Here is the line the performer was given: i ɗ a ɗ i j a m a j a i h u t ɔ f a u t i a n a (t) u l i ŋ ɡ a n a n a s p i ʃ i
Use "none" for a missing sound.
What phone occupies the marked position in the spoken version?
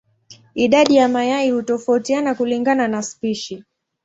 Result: k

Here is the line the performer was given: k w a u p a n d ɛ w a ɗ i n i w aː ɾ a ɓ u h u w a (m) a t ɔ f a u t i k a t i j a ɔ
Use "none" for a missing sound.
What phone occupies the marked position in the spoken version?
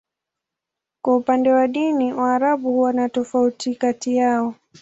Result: n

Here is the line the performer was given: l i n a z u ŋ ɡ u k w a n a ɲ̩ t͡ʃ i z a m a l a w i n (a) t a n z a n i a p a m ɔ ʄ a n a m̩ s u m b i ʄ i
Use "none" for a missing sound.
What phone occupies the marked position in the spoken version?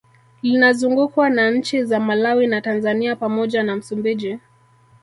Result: a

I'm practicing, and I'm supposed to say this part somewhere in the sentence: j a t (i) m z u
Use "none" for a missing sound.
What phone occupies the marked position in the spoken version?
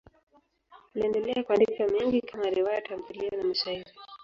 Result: a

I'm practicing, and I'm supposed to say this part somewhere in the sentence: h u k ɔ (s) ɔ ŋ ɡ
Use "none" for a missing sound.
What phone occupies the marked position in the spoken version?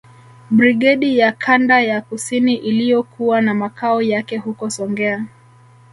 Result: s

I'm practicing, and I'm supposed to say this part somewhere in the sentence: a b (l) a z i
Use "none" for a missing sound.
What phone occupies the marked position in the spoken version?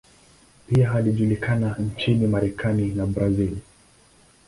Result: ɾ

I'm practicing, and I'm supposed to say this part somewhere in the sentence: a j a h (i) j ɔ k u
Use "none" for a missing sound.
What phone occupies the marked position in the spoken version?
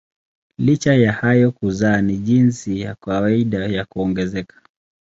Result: a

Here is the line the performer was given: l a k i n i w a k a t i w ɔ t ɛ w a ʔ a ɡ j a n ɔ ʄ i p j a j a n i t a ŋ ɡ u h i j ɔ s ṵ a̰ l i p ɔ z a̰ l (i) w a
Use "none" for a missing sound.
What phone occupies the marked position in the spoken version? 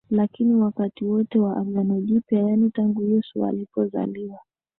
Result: i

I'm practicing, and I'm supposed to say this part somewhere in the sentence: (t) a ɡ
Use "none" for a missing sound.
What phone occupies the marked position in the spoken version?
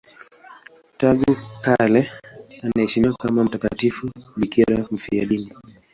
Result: t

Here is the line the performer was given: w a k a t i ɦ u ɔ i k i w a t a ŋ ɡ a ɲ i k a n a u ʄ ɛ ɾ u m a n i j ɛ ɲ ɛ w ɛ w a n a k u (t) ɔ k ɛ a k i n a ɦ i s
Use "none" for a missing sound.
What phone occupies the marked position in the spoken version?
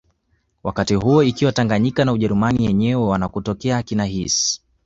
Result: t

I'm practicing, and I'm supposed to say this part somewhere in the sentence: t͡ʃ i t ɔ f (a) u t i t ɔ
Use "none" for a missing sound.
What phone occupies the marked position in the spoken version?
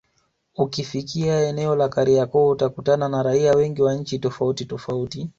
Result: a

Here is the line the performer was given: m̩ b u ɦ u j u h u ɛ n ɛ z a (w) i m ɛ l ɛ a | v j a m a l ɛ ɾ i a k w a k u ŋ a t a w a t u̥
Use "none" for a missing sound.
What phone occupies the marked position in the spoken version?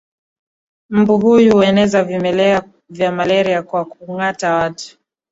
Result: v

